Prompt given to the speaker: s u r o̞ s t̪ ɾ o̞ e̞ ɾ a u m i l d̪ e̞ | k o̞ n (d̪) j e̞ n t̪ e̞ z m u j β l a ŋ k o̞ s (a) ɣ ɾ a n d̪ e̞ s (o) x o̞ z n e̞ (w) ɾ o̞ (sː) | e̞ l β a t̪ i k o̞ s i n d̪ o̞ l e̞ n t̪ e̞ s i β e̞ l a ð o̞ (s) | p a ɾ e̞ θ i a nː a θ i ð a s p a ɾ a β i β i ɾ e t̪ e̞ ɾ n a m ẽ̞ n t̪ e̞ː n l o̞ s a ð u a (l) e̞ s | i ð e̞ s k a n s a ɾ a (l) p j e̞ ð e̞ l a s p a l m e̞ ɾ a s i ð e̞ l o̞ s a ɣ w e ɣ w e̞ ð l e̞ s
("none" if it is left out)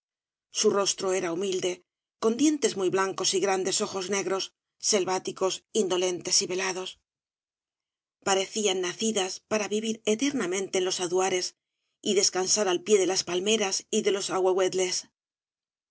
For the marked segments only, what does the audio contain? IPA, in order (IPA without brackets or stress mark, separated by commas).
d̪, i, o, ɣ, sː, s, ɾ, l